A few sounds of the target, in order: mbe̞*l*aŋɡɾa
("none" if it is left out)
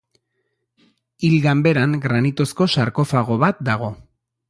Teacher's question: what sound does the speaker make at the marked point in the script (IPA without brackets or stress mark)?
ɾ